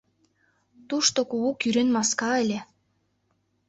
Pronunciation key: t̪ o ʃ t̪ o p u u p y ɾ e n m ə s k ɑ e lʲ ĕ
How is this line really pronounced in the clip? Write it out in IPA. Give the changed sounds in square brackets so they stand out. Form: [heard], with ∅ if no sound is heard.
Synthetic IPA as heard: t̪ [u] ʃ t̪ o [k] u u [k] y ɾ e n m [ɑ] s k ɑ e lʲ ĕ